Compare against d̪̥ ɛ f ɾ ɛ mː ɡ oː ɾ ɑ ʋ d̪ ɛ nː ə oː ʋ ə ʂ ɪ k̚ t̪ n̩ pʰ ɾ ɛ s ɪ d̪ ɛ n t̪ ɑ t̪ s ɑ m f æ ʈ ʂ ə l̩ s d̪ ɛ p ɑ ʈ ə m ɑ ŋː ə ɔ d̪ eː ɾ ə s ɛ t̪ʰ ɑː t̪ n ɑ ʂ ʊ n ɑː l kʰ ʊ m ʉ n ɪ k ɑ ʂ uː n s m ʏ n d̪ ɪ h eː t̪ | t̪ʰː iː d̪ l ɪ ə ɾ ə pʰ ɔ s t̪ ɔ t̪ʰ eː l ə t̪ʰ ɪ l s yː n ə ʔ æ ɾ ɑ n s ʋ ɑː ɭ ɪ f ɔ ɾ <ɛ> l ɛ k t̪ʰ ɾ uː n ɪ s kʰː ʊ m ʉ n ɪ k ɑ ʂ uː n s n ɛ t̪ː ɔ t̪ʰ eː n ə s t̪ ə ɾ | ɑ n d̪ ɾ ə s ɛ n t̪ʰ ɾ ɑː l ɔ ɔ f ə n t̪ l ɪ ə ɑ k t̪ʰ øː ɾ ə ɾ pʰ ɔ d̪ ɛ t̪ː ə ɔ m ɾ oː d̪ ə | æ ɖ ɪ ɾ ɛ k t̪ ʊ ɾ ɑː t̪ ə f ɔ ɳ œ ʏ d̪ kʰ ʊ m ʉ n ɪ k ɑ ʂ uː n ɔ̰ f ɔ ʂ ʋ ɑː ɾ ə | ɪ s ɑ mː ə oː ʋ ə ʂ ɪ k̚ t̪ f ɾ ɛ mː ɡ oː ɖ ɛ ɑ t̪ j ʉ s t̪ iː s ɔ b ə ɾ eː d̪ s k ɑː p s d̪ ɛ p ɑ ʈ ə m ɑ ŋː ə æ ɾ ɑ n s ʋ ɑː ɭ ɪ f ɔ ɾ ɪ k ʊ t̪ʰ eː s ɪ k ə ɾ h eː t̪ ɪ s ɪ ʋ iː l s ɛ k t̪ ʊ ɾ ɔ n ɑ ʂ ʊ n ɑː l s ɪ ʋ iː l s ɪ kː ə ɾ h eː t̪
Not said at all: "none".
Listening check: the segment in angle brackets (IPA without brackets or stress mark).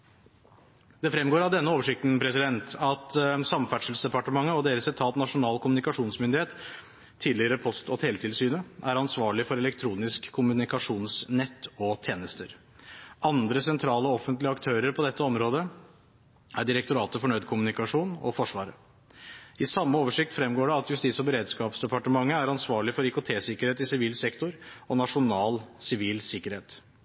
ɛ